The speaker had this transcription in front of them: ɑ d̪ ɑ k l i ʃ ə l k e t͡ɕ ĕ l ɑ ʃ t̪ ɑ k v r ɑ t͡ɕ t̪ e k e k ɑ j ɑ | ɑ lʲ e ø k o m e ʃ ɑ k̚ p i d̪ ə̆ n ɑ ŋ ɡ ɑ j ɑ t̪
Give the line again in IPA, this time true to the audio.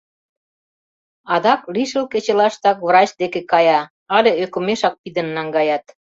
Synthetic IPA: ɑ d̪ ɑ k l i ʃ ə l k e t͡ɕ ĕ l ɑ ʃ t̪ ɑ k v r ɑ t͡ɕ d̪ e k e k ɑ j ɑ | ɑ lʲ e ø k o m e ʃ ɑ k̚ p i d̪ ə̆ nː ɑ ŋ ɡ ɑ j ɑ t̪